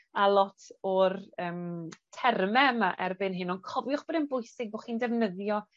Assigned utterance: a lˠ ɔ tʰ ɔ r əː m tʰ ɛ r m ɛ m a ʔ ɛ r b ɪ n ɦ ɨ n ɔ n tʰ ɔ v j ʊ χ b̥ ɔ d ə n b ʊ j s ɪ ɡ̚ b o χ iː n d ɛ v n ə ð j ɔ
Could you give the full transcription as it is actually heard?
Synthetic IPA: a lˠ ɔ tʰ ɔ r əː m tʰ ɛ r m ɛ m a ʔ ɛ r b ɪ n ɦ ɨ n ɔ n kʰ ɔ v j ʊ χ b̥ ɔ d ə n b ʊ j s ɪ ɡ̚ b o χ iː n d ɛ v n ə ð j ɔ